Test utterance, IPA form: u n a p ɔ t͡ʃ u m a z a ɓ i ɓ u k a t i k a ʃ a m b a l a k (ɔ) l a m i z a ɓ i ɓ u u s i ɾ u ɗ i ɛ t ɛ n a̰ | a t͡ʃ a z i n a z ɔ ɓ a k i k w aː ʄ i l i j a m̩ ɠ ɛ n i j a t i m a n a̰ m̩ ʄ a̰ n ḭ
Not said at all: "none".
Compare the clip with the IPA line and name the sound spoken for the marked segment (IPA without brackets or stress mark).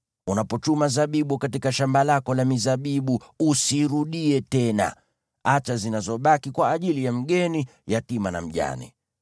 ɔ